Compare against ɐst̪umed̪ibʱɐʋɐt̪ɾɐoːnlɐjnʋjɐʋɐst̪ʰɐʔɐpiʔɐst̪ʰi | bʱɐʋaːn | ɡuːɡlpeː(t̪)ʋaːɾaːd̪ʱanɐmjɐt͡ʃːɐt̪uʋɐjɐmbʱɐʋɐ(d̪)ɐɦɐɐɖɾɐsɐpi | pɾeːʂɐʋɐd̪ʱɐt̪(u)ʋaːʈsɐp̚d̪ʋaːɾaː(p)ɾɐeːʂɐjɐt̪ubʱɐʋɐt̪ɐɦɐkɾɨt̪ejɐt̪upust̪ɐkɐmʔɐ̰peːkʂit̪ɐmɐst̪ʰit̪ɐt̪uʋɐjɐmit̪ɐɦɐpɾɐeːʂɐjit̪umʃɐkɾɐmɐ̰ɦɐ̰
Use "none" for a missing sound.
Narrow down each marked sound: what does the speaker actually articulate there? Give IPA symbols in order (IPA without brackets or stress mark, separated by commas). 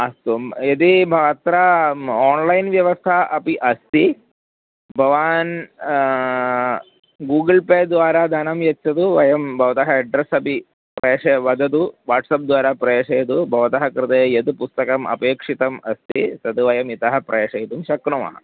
d̪, t̪, u, p